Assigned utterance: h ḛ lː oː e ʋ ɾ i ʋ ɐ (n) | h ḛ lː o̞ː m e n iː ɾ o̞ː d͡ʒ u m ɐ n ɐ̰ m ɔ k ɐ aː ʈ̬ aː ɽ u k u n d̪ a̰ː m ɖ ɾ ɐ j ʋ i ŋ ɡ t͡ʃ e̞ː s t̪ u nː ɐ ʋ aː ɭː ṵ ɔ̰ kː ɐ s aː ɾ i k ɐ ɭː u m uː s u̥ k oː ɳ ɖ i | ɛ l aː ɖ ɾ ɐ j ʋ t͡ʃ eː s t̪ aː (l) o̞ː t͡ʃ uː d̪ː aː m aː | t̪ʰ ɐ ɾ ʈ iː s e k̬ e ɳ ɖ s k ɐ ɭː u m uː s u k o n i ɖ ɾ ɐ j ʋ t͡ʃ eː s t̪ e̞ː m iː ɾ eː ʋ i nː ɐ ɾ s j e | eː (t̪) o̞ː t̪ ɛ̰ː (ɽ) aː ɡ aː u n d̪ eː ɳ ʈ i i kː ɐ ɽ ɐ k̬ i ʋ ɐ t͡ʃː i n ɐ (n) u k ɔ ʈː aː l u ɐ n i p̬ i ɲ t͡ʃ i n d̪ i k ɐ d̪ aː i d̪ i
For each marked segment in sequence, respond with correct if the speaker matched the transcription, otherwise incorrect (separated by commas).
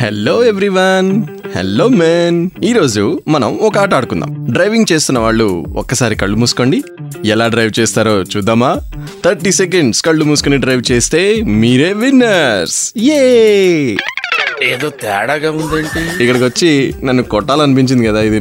correct, incorrect, incorrect, correct, incorrect